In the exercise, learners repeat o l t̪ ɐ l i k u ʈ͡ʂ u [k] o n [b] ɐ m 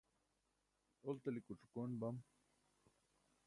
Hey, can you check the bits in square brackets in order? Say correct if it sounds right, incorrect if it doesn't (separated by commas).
correct, correct